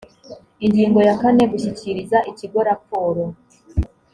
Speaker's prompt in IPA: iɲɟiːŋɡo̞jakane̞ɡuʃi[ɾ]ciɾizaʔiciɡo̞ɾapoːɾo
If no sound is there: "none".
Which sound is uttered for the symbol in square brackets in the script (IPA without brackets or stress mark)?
none